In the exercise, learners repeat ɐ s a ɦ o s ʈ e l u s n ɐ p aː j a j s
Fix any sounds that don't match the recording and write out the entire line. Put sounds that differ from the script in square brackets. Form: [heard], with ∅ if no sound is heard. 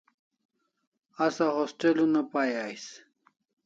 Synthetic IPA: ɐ s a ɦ o s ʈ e l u [∅] n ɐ p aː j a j s